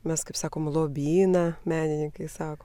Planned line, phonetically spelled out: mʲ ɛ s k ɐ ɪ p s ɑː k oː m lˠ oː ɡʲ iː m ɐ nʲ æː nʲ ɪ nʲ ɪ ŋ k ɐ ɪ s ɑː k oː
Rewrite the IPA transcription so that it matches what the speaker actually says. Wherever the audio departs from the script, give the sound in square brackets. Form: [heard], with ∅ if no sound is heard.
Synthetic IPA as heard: mʲ ɛ s k ɐ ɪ p s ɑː k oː m lˠ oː [bʲ] iː [n] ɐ [mʲ] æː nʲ ɪ nʲ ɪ ŋ k ɐ ɪ s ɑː k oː